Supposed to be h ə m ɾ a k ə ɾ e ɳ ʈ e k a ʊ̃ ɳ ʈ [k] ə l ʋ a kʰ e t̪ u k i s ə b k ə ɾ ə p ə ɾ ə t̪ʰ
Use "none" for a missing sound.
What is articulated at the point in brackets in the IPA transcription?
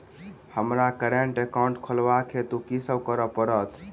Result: kʰ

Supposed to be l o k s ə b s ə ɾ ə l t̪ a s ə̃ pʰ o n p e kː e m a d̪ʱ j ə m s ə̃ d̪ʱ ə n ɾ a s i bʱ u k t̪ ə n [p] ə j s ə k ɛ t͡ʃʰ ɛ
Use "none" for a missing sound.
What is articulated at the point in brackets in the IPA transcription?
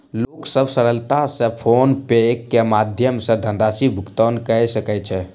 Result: k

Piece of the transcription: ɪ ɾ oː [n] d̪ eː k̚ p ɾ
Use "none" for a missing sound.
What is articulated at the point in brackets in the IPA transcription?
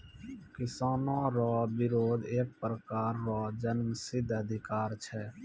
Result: none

